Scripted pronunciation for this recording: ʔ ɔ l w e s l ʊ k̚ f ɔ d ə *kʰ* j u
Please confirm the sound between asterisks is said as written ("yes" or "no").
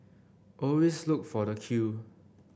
yes